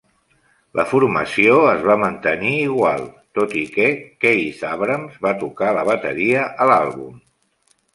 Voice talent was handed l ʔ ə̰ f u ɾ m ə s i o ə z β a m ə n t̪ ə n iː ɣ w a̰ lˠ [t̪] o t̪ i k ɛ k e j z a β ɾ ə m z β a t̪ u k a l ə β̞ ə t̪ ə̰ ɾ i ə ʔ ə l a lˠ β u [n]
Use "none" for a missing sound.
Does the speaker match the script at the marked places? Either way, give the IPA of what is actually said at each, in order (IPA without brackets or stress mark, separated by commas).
t̪, m